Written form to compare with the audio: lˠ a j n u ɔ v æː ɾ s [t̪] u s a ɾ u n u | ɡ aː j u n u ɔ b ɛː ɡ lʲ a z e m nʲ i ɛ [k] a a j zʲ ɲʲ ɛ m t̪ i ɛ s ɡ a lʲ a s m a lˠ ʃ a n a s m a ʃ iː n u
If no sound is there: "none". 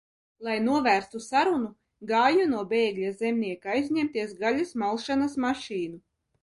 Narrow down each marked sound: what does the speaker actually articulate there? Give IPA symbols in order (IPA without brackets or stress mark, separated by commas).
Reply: t̪, k